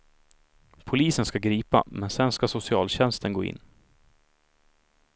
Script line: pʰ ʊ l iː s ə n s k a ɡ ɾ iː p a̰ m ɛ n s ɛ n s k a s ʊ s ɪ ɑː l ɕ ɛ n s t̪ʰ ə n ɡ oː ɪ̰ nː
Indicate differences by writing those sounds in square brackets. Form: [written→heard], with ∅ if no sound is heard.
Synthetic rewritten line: pʰ ʊ l iː s ə n s k a ɡ ɾ iː p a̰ m ɛ n s ɛ n s k a s ʊ s ɪ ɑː l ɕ ɛ n s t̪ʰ ə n ɡ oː ɪ̰ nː